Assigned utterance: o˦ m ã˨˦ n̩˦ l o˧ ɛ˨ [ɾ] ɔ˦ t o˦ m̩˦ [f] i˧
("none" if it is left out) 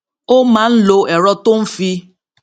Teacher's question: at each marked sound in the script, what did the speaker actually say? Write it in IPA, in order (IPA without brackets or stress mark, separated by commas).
ɾ, f